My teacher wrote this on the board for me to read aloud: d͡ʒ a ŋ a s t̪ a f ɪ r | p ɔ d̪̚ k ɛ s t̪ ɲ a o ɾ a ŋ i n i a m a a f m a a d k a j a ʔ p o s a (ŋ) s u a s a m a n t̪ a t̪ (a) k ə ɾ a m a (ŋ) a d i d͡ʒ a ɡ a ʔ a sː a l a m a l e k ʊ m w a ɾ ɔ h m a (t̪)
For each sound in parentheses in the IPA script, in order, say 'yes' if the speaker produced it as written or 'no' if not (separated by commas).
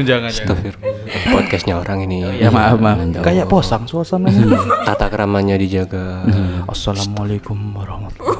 yes, yes, no, yes